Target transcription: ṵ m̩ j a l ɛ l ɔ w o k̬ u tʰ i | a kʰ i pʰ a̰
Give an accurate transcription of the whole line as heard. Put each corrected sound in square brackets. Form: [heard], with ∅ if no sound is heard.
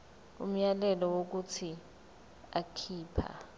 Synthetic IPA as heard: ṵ m̩ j a l ɛ l ɔ w o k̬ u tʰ i | a kʰ [iː] pʰ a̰

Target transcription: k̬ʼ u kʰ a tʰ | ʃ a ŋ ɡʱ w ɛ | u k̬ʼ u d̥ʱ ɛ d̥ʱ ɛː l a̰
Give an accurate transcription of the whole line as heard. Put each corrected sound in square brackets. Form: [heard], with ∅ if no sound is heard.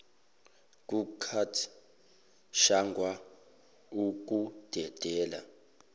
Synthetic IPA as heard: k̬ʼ u kʰ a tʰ | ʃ a ŋ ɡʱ w [a] | u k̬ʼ u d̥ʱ ɛ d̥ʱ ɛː l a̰

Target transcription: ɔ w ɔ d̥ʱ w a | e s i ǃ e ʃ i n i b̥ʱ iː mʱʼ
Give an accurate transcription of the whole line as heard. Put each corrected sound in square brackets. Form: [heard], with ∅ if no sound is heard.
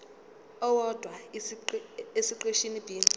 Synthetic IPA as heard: ɔ w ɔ d̥ʱ w a | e s i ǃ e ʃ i n i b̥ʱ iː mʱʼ

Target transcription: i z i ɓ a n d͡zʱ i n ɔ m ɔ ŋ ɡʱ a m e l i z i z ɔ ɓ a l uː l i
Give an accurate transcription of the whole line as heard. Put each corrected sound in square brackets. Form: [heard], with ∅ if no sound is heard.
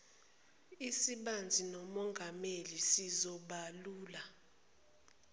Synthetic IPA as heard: i [s] i ɓ a n d͡zʱ i n ɔ m ɔ ŋ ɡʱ a m e l i [s] i z ɔ ɓ a l uː l [a]

